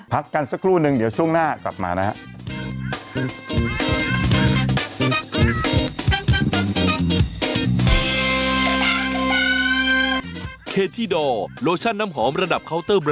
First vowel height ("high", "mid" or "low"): low